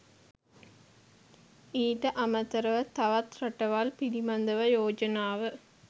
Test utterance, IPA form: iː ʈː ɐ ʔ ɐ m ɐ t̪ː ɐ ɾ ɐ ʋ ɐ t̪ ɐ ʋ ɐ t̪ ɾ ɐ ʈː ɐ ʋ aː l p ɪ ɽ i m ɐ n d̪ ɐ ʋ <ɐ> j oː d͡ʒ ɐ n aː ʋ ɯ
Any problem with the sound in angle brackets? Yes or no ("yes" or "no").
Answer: no